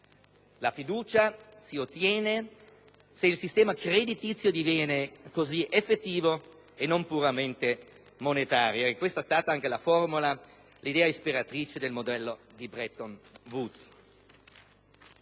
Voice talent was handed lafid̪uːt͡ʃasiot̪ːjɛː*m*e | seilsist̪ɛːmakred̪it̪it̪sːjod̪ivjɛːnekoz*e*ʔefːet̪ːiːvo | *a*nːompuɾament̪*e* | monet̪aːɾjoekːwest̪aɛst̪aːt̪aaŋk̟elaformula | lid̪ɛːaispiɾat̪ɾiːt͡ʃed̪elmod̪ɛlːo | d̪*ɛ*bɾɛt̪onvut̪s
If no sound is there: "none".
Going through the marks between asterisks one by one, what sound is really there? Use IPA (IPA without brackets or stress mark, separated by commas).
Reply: n, i, e, e, i